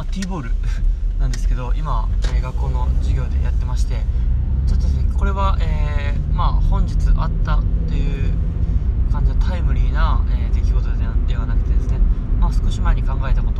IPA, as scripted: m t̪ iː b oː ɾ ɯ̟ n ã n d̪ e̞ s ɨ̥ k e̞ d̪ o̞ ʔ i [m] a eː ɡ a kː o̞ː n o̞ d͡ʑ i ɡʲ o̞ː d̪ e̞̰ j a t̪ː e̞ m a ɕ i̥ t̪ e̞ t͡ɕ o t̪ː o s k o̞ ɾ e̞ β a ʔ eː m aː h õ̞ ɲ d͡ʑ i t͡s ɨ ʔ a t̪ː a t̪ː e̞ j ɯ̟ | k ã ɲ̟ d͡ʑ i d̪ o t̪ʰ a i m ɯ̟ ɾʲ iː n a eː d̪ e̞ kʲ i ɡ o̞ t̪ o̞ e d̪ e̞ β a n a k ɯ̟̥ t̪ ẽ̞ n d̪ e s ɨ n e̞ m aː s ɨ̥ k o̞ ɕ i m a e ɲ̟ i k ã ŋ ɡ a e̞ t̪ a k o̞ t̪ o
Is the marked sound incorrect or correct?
correct